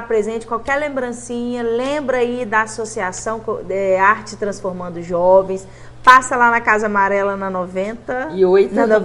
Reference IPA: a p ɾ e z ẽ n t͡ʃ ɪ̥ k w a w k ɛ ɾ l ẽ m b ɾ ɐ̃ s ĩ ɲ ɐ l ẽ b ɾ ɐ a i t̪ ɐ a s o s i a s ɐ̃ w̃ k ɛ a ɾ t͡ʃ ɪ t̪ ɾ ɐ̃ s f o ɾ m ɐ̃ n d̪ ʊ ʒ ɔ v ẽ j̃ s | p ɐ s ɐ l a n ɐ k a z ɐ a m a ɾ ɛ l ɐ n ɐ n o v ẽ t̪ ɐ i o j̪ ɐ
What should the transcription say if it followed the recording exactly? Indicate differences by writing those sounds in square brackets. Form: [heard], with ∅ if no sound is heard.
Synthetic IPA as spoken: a p ɾ e z ẽ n t͡ʃ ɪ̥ k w a w k ɛ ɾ l ẽ m b ɾ ɐ̃ s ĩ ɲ ɐ l ẽ b ɾ ɐ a i [d̪] ɐ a s o s i a s ɐ̃ w̃ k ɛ a ɾ t͡ʃ ɪ t̪ ɾ ɐ̃ s f o ɾ m ɐ̃ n d̪ ʊ ʒ ɔ v ẽ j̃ s | p [a] s ɐ l a n ɐ k a z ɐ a m a ɾ ɛ l ɐ n ɐ n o v ẽ t̪ ɐ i o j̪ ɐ